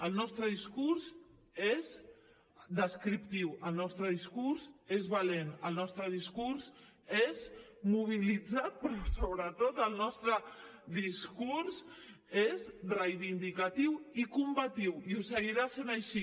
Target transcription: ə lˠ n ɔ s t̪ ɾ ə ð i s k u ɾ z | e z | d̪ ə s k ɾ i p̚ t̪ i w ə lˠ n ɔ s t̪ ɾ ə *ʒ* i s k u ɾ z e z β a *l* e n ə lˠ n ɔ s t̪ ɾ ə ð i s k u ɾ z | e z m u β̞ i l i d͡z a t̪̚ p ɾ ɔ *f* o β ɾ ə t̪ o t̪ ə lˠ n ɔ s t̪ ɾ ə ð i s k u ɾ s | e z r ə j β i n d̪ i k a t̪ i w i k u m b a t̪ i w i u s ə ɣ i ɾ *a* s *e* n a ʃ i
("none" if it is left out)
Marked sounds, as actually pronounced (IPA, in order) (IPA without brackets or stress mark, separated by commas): ð, l, s, a, e